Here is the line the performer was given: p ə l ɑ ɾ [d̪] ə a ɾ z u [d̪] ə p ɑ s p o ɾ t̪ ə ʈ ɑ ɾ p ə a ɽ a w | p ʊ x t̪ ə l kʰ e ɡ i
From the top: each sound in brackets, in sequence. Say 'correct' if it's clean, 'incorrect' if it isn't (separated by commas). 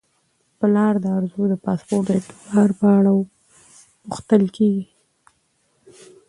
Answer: correct, correct